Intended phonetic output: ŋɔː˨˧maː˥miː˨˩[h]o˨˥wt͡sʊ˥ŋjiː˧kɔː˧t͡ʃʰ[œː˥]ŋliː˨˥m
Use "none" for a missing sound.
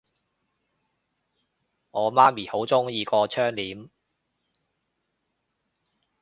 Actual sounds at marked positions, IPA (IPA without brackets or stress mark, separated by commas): h, œː˥